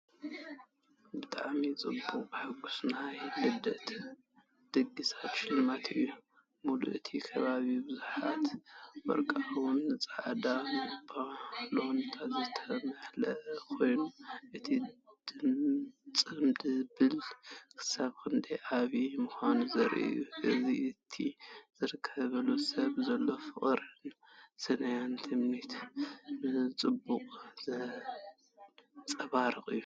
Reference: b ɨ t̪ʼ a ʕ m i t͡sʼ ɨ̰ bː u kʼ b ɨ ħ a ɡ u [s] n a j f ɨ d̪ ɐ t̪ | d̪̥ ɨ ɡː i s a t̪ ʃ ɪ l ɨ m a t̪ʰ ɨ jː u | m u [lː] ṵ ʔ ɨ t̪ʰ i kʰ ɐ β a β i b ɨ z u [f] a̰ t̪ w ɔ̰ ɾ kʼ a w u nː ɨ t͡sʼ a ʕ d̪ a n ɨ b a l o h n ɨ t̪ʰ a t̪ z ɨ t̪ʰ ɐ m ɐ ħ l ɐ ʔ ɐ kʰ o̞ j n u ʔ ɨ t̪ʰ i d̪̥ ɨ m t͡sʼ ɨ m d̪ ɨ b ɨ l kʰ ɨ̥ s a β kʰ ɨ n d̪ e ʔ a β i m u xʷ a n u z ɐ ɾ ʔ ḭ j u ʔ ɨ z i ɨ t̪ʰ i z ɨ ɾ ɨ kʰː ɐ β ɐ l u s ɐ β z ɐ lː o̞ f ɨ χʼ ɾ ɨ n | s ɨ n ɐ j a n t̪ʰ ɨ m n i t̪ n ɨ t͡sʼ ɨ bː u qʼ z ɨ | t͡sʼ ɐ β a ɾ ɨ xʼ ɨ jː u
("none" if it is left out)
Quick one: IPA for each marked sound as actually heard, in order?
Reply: s, l, ħ

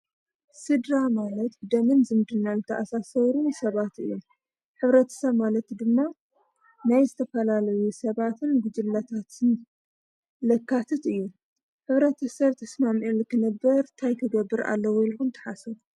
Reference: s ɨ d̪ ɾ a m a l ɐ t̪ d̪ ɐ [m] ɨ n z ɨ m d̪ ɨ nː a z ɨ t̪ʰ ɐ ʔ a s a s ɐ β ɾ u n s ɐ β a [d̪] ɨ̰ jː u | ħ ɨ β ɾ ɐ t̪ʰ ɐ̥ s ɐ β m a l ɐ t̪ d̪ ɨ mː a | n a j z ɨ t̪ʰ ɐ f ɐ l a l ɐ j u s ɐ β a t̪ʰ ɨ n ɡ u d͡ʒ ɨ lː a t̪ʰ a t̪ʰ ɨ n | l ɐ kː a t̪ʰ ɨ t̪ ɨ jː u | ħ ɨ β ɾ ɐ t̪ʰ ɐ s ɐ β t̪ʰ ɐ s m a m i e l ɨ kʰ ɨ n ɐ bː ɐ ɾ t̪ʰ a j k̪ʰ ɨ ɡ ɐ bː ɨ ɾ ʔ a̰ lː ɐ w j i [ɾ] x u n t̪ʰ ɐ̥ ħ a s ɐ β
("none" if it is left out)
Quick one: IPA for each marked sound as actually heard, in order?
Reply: m, t̪, l

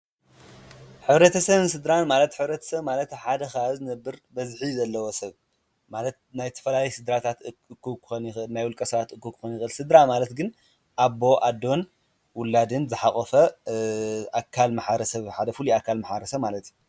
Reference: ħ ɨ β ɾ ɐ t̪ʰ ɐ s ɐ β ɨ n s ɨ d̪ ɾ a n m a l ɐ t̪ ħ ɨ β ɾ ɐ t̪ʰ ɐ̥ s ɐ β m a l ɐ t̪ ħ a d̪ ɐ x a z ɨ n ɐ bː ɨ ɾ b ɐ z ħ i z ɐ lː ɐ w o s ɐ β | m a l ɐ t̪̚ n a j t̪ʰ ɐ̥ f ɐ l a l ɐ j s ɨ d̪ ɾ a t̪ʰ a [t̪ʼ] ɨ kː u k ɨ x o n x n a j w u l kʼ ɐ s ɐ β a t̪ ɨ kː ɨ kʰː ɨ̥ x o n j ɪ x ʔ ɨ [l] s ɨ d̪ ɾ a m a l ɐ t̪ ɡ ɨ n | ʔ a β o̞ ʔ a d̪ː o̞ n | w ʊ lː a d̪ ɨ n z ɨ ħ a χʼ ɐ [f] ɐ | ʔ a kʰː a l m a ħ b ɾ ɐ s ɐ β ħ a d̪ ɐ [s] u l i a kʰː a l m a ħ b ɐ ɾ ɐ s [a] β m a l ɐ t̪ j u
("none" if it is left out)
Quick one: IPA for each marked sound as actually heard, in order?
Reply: t̪, l, f, f, ɐ

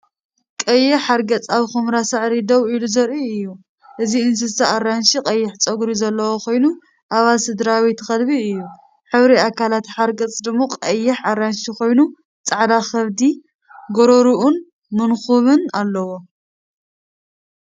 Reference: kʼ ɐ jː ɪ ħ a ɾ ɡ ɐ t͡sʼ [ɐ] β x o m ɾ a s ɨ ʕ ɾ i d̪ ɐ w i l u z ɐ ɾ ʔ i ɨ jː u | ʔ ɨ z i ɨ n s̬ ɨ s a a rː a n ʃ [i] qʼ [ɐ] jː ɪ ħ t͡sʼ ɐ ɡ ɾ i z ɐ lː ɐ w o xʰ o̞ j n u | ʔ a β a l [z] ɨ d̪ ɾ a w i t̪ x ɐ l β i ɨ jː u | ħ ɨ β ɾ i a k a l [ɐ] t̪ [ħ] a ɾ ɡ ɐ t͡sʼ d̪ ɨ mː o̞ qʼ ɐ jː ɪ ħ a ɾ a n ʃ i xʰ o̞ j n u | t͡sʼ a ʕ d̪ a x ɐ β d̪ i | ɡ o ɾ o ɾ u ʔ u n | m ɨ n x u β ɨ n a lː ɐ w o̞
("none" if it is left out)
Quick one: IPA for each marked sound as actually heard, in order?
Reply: a, i, ɐ, s, a, ħ

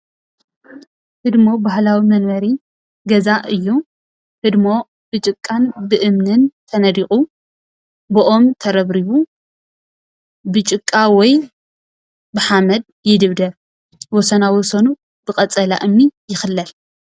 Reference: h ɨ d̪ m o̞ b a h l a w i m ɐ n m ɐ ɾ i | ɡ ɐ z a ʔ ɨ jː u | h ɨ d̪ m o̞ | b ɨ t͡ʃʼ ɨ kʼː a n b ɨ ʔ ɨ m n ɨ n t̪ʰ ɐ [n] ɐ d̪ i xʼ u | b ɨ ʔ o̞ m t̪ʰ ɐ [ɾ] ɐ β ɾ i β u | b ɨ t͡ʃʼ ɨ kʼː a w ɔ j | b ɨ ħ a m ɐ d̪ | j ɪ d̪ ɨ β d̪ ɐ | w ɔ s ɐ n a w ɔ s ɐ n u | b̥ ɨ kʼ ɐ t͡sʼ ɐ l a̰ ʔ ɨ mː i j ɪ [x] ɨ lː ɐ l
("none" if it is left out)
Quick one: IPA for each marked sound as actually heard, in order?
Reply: n, ɾ, x

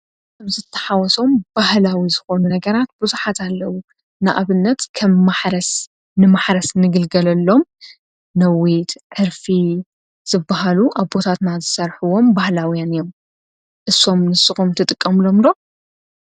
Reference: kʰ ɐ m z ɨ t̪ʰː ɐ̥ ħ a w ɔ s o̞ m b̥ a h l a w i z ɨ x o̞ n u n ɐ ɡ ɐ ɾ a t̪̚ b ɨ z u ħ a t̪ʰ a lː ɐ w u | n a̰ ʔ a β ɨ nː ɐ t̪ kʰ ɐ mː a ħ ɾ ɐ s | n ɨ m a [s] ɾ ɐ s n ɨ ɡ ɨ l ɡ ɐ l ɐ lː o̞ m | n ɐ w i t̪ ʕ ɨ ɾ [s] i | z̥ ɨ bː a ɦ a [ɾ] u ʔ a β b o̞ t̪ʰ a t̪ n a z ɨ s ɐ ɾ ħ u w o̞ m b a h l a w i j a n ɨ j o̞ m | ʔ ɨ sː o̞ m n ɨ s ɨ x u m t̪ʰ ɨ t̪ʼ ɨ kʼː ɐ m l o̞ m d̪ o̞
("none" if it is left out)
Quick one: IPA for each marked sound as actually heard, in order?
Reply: ħ, f, l

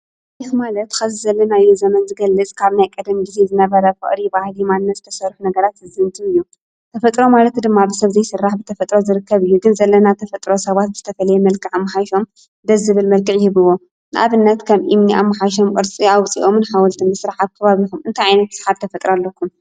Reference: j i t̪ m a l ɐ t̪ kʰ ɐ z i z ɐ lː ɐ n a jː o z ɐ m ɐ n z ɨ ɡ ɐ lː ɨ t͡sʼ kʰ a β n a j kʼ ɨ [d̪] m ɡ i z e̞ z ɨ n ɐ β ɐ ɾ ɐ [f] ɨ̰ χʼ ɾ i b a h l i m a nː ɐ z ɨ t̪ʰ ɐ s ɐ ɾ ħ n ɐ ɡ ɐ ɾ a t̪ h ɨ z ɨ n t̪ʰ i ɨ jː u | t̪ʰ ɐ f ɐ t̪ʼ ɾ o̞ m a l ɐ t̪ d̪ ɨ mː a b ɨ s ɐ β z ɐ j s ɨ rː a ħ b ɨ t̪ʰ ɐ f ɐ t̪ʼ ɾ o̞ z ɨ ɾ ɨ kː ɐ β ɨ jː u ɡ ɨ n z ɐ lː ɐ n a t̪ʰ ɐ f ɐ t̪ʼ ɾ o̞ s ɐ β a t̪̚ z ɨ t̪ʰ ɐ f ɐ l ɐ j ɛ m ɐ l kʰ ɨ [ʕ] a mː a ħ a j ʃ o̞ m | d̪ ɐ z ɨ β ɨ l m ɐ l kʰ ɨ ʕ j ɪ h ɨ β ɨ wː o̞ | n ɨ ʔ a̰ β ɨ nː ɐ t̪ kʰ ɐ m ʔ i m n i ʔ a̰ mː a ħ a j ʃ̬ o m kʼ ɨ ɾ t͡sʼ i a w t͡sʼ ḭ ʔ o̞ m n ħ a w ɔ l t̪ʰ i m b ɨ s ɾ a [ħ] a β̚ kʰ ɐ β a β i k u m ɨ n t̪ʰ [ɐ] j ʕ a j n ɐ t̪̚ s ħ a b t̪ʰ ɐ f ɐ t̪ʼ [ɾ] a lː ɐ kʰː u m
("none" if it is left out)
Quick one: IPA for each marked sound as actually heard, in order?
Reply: d̪, f, ʕ, ħ, a, ɾ

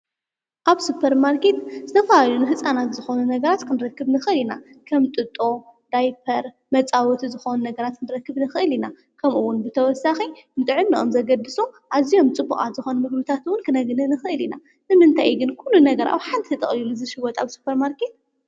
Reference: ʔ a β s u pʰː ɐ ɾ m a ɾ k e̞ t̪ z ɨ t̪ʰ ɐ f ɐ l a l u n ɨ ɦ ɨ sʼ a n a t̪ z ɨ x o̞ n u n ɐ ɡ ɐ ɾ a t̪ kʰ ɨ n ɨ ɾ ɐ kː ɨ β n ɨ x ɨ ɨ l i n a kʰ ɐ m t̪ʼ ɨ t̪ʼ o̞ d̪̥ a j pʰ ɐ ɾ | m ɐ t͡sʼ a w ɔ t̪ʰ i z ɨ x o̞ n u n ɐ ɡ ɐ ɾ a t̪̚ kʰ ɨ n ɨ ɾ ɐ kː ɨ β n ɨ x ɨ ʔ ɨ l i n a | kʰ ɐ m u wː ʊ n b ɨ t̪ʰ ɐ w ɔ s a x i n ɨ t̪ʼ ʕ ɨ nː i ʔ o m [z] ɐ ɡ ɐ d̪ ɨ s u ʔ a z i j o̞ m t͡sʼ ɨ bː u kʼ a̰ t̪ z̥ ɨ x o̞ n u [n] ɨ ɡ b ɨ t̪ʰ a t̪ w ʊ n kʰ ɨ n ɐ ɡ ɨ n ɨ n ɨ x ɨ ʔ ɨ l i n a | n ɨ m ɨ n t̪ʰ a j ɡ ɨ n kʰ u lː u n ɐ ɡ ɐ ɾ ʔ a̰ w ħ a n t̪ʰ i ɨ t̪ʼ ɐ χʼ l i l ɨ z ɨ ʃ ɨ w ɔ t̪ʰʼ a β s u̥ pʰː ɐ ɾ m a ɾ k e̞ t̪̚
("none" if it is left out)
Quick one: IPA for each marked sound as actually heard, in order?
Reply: z, m

